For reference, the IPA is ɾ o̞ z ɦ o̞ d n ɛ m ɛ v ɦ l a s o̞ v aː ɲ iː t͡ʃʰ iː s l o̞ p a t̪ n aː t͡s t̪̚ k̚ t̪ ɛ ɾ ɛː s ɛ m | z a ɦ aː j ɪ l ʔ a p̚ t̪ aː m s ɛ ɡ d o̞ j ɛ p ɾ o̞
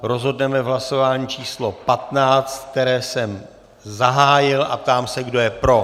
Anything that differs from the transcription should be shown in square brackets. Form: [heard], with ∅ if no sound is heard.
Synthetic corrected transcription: ɾ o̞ z ɦ o̞ d n ɛ m ɛ v ɦ l a s o̞ v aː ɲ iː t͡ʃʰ iː s l o̞ p a t̪ n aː t͡s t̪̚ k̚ t̪ ɛ ɾ ɛː s ɛ m | z a ɦ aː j ɪ l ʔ a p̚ t̪ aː m s ɛ ɡ d o̞ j ɛ p ɾ o̞